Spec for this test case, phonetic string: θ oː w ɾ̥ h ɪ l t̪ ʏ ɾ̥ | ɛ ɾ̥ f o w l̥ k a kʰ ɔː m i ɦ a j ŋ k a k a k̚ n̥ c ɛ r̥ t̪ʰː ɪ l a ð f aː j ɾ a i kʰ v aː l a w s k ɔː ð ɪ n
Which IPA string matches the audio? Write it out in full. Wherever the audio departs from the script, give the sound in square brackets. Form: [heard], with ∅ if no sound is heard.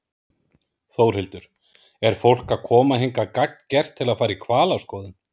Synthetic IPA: θ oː w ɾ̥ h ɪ l t̪ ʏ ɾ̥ | ɛ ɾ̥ f o w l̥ k a kʰ ɔː m [a] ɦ [e] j ŋ k a k a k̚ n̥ c ɛ r̥ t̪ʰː ɪ l a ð f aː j ɾ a i kʰ v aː l a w s k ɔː ð ɪ n